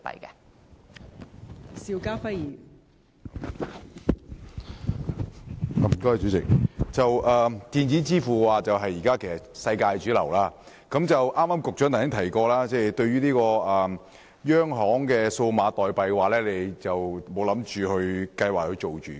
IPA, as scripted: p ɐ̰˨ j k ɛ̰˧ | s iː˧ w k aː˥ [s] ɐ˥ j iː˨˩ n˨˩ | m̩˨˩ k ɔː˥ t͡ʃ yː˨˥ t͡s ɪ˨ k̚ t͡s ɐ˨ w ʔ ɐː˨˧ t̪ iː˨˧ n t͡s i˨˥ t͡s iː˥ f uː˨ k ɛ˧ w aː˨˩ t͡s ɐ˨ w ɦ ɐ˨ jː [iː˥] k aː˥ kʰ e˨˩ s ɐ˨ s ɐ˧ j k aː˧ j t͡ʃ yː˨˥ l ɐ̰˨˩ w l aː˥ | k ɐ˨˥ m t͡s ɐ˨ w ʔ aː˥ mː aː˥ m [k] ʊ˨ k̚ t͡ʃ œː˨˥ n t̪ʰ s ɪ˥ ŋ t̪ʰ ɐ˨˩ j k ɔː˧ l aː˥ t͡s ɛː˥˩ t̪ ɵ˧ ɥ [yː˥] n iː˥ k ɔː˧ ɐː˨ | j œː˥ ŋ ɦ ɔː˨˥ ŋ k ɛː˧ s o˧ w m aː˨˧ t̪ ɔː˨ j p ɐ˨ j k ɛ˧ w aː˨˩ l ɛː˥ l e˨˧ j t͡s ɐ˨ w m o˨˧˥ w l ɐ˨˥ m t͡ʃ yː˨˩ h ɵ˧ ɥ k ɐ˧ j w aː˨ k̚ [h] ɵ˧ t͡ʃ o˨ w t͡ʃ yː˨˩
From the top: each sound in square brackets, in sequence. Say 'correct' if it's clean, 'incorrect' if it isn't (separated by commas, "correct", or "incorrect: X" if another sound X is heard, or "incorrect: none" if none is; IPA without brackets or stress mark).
incorrect: f, incorrect: iː˨˩, correct, correct, correct